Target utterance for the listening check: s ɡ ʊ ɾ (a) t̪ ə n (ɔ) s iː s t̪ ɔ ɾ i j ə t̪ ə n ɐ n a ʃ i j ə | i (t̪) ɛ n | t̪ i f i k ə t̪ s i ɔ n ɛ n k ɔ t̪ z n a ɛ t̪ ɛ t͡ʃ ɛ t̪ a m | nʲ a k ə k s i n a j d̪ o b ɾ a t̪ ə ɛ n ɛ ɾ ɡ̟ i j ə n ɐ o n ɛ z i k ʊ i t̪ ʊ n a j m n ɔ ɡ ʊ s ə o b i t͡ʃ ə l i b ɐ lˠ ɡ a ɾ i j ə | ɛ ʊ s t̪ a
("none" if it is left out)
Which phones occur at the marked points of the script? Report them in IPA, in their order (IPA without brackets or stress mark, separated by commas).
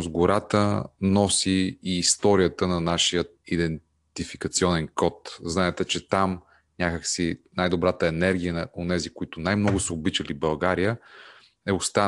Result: a, ɔ, d̪